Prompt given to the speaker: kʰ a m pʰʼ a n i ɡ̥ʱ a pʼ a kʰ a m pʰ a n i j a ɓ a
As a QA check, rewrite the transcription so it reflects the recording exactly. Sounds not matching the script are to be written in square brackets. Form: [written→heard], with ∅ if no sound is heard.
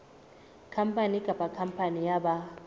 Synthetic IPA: kʰ a m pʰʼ a n i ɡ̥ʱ a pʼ a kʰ a m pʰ a n i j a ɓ a